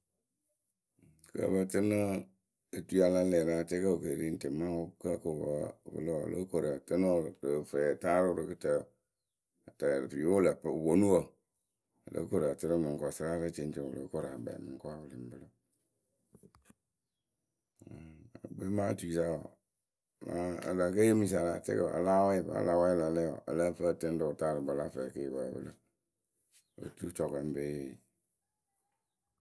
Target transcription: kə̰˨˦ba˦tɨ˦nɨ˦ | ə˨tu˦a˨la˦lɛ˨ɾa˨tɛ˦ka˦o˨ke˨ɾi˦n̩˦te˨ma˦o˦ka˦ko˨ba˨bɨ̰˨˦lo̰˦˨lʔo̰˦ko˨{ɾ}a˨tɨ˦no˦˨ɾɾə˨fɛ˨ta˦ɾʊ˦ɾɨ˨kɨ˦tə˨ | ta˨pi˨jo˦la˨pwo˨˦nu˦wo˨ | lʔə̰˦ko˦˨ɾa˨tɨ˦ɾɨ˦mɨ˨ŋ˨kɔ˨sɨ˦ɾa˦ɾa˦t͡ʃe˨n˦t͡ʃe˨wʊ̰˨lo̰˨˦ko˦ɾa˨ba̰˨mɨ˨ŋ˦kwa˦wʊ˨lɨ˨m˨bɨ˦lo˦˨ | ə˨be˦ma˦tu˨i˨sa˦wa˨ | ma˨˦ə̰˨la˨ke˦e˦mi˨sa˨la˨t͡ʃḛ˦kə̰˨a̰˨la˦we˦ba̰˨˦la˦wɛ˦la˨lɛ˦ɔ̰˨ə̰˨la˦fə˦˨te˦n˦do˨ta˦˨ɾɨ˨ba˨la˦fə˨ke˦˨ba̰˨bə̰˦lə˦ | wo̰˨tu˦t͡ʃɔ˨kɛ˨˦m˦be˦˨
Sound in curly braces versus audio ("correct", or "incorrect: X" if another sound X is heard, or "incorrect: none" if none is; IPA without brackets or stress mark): correct